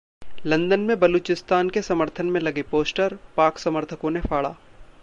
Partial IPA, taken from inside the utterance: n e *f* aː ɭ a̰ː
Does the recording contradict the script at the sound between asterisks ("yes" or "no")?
no